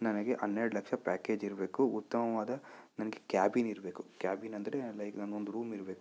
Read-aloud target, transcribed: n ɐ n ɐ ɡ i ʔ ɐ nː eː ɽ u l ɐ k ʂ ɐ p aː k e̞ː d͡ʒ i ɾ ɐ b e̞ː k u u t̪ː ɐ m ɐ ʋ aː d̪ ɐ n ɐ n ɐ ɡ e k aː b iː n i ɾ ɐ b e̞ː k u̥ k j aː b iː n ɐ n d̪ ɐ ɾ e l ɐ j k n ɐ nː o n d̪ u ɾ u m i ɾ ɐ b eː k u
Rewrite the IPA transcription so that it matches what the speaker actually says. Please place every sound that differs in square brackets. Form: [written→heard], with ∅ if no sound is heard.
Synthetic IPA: n ɐ n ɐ ɡ [i→e] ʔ ɐ nː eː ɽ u l ɐ k ʂ ɐ p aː k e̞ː d͡ʒ i ɾ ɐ b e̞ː k u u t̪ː ɐ m ɐ ʋ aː d̪ ɐ n ɐ n ɐ ɡ e k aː b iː n i ɾ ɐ b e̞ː k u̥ k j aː b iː n ɐ n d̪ ɐ ɾ e l ɐ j k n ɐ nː o n d̪ u ɾ [u→uː] m i ɾ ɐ b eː k u